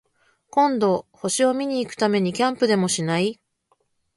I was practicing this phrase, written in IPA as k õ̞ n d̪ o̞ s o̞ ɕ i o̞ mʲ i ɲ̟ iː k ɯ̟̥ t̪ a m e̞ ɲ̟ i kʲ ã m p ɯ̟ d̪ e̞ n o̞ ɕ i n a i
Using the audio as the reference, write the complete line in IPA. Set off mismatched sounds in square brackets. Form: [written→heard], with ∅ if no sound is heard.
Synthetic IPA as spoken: k õ̞ n d̪ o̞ [s→h] o̞ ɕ i o̞ mʲ i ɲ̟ iː k ɯ̟̥ t̪ a m e̞ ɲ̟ i kʲ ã m p ɯ̟ d̪ e̞ [n→m] o̞ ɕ i n a i